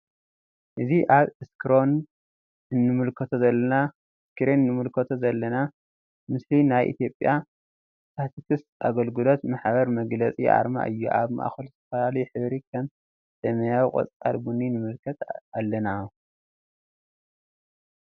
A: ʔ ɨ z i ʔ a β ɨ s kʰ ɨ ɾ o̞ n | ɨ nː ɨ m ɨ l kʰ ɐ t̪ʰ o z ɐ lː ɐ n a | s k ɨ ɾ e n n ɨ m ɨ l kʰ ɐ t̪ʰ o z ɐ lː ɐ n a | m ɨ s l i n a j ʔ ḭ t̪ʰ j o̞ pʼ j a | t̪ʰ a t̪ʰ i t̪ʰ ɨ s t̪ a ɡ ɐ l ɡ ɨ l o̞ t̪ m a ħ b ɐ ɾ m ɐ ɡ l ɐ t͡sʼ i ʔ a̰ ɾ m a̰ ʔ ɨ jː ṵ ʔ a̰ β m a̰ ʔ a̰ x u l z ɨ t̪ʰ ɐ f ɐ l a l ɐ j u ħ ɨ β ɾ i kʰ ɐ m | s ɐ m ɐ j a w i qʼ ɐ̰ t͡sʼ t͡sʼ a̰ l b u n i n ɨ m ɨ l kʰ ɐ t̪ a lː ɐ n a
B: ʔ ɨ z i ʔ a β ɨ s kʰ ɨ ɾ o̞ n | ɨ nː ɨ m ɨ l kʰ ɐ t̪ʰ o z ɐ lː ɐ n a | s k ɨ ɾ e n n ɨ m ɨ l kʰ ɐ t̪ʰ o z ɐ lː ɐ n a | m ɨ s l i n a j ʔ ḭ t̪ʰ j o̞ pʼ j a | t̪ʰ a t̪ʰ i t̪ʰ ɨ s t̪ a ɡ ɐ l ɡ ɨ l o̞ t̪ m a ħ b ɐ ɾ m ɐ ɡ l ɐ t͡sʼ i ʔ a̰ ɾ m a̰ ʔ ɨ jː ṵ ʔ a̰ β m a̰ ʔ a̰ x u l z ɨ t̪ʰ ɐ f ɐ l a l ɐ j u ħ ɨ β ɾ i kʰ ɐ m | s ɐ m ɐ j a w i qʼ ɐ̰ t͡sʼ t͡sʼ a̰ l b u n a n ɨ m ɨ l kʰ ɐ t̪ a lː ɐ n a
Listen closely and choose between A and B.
A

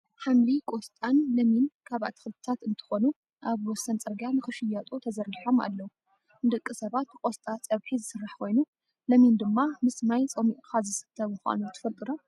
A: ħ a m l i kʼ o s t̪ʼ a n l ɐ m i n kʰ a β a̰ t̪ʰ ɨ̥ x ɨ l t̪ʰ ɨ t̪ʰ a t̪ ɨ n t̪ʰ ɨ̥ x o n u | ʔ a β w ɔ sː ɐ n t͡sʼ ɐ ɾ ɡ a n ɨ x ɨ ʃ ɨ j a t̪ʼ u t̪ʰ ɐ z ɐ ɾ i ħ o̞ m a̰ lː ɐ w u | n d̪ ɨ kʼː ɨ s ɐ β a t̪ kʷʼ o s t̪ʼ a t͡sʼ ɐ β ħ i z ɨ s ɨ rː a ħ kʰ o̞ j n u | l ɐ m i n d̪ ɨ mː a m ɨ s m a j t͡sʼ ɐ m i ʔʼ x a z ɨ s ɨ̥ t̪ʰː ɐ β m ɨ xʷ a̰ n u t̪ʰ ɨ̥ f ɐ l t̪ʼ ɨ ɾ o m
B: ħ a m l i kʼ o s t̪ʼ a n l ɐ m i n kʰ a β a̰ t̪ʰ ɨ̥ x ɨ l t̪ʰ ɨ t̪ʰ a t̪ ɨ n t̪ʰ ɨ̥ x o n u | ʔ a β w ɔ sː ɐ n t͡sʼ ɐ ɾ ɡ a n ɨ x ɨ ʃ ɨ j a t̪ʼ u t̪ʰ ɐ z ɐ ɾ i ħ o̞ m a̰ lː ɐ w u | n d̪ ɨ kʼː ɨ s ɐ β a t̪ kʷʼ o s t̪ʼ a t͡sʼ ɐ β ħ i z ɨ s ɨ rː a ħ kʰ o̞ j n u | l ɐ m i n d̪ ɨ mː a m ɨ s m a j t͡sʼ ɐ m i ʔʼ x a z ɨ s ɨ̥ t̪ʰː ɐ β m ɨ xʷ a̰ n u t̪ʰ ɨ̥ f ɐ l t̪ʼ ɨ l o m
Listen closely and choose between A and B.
A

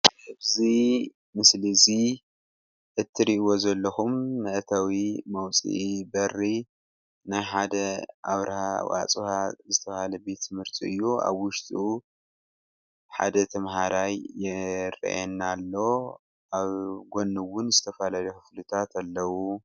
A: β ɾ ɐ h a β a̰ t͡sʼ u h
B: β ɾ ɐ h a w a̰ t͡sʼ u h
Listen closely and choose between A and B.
B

